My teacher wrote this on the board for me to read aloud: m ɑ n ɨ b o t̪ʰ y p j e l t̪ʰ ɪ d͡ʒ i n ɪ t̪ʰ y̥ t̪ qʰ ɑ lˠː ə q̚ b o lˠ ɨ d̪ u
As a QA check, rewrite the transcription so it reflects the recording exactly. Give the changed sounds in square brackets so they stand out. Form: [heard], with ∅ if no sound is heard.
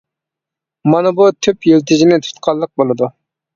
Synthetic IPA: m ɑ n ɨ b [u] t̪ʰ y p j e l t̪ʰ ɪ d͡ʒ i n ɪ t̪ʰ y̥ t̪ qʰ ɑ lˠː ə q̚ b o lˠ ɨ d̪ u